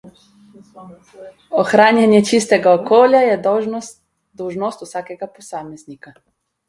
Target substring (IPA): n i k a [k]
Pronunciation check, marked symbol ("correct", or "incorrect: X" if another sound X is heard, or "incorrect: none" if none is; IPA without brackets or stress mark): incorrect: none